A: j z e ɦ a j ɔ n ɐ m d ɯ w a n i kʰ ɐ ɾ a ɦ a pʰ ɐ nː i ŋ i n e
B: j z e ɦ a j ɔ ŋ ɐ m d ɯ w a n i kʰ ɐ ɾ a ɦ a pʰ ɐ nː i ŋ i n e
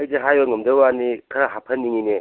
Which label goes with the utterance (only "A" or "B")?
B